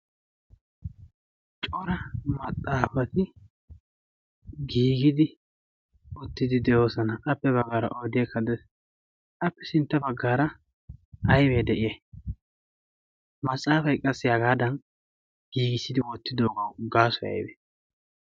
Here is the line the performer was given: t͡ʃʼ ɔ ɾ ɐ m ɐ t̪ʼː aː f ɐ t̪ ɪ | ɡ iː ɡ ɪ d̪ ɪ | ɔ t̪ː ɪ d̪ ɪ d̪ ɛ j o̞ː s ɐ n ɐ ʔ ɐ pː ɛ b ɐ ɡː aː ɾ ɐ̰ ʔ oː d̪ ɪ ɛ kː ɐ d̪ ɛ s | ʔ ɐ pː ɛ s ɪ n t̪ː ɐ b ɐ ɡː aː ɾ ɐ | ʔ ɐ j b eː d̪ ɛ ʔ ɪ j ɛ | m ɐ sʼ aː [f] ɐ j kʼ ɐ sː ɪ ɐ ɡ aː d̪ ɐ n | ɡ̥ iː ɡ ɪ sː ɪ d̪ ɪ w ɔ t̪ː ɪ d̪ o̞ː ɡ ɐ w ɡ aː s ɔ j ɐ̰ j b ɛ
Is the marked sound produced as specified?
yes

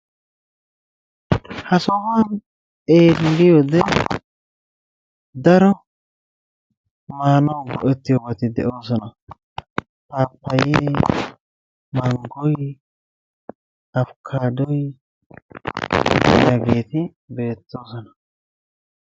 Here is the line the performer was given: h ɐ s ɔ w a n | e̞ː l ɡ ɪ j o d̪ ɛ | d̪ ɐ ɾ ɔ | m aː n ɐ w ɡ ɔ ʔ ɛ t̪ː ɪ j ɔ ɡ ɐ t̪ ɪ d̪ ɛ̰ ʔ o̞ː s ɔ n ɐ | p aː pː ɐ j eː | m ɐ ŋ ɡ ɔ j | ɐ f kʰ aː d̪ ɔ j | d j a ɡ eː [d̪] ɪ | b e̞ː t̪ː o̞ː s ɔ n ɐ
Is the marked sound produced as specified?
no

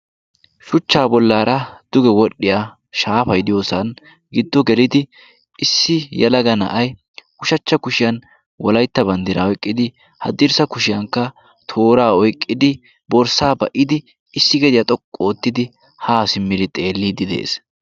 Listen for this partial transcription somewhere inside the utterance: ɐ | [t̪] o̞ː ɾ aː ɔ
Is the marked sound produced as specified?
no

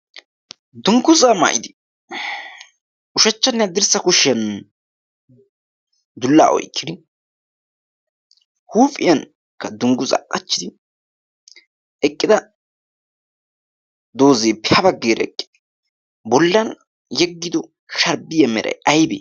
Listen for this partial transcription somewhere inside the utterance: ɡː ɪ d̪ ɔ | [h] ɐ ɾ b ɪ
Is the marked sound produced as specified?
no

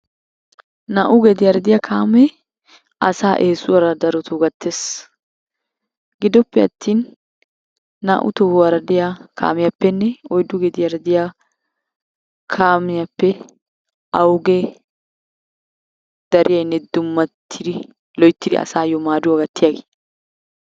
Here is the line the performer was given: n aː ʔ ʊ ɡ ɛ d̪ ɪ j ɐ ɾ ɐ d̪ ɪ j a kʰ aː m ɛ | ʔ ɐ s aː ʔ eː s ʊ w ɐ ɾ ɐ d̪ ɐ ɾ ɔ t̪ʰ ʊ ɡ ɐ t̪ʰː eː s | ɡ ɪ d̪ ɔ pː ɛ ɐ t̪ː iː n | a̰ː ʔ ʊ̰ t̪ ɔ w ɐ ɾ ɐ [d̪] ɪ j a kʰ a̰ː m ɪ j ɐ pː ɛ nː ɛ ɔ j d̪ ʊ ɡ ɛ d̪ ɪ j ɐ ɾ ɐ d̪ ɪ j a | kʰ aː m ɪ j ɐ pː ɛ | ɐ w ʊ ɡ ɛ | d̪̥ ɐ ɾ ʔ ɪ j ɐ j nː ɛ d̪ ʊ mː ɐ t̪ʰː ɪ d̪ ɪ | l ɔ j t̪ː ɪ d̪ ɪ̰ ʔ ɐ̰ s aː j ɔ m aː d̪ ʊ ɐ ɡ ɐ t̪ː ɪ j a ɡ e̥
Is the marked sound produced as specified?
yes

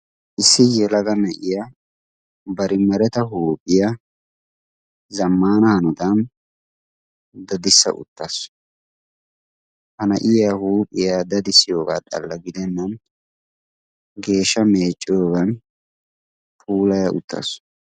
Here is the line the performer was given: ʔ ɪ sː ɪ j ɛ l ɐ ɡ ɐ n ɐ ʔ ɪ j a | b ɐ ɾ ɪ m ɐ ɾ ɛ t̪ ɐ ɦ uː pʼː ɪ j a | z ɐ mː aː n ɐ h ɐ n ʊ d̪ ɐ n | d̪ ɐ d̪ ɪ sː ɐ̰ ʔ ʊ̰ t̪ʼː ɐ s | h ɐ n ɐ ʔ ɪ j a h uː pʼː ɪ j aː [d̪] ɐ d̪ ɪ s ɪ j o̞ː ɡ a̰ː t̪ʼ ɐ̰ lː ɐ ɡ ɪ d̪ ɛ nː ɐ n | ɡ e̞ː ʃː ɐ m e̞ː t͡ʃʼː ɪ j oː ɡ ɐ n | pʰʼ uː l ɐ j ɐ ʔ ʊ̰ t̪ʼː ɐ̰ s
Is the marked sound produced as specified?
yes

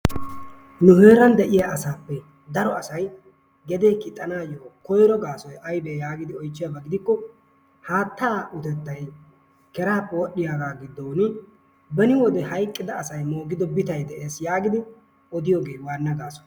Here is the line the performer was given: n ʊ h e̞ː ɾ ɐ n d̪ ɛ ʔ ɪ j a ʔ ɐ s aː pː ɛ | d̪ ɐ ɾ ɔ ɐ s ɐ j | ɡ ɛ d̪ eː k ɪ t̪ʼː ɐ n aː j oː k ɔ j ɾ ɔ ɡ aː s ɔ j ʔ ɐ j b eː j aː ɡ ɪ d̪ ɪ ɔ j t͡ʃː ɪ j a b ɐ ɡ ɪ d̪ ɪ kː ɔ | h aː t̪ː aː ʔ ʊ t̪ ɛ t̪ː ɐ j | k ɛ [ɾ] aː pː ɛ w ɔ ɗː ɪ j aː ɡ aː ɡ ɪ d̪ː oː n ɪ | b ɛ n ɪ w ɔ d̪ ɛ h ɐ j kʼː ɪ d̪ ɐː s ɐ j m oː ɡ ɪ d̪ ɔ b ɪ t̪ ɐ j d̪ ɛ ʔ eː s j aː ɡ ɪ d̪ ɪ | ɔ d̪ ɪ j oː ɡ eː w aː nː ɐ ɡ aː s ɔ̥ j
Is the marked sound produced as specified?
yes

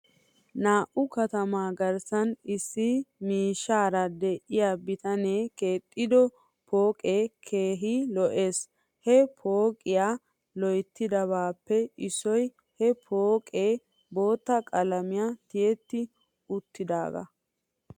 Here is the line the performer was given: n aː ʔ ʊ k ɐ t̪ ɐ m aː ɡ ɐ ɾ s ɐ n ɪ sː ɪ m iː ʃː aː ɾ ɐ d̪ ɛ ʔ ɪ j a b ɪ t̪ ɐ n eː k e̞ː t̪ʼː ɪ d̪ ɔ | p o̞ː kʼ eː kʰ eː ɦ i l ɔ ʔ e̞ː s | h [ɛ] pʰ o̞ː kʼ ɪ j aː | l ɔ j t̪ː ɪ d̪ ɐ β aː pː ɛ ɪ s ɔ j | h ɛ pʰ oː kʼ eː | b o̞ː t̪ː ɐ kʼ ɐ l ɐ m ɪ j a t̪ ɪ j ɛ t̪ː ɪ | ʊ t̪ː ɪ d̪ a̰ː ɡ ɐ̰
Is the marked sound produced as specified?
yes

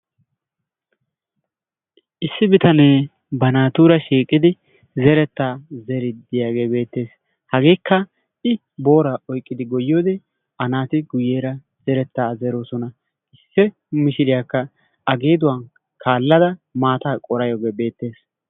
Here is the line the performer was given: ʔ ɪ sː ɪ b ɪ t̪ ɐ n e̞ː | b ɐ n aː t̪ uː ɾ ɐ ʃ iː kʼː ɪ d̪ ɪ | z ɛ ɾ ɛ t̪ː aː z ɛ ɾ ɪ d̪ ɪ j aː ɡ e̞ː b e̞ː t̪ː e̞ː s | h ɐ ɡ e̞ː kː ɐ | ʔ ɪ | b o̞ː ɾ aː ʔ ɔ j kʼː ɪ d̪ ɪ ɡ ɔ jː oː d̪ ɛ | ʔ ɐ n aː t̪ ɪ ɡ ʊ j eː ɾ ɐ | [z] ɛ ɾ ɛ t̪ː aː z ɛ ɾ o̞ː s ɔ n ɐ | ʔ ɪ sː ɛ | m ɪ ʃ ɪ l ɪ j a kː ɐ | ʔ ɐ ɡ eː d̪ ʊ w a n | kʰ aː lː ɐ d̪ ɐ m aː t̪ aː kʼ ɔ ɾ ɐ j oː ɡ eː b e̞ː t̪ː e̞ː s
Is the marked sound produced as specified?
yes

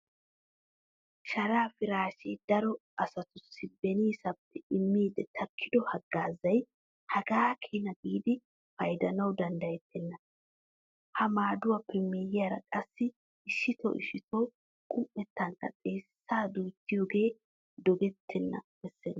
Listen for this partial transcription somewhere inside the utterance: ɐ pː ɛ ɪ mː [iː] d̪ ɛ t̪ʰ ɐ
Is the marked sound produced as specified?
yes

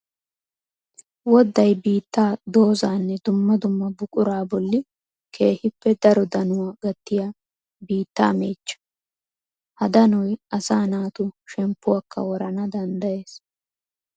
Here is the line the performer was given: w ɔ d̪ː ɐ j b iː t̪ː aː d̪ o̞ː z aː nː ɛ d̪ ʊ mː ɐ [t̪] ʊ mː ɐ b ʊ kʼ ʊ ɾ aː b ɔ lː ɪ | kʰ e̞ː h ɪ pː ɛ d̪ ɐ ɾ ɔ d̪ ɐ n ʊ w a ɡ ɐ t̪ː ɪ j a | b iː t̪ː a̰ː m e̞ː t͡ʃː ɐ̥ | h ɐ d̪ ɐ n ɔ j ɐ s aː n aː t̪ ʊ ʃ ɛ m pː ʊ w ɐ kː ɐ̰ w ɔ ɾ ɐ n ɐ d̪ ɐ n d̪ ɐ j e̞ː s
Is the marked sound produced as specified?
no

